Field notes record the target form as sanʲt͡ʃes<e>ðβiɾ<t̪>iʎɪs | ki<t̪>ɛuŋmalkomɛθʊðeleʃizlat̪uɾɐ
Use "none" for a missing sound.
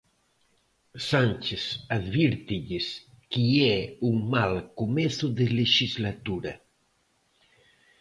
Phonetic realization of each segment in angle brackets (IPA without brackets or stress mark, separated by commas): a, t̪, none